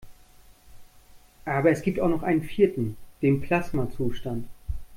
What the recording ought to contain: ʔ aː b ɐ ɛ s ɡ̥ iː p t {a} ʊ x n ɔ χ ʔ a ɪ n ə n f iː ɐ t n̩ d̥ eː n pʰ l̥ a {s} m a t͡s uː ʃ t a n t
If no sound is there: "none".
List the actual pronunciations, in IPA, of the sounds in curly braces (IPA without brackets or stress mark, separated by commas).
a, s